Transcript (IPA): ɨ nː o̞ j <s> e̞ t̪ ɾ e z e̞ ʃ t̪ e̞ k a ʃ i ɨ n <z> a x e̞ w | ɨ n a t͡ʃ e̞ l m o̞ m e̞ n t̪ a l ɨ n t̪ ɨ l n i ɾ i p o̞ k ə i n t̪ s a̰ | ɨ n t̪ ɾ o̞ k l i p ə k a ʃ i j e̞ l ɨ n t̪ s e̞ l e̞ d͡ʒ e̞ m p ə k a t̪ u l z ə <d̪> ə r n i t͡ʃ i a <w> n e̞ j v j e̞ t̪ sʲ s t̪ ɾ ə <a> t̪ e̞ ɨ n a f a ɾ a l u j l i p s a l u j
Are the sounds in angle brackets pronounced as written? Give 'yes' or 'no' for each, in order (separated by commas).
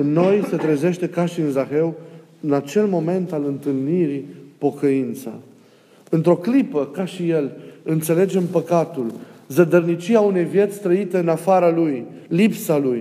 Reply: yes, yes, yes, no, no